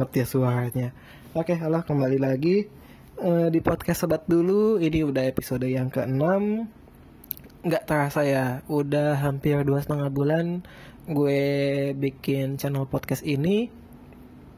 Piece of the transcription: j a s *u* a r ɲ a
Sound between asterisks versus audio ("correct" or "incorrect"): correct